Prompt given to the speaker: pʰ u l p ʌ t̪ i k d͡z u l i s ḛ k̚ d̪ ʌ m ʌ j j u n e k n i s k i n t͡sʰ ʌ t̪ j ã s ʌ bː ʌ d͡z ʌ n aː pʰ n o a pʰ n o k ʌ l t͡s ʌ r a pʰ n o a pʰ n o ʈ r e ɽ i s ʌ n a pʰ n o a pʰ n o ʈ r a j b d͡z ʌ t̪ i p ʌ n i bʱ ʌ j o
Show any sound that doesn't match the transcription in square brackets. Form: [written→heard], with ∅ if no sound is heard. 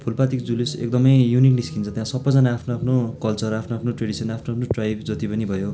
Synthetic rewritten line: pʰ u l p [ʌ→a] t̪ i k d͡z u l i s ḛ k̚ d̪ ʌ m ʌ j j u n [e→i] k n i s k i n t͡sʰ ʌ t̪ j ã s ʌ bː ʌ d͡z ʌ n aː pʰ n o a pʰ n o k ʌ l t͡s ʌ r a pʰ n o a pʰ n o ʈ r e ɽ i s ʌ n a pʰ n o a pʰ n o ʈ r a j b d͡z ʌ t̪ i p ʌ n i bʱ ʌ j o